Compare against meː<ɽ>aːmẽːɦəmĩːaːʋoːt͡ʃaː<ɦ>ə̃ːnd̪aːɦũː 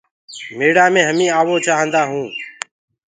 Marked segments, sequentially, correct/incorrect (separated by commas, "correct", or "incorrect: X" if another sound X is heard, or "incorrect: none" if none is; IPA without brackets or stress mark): correct, correct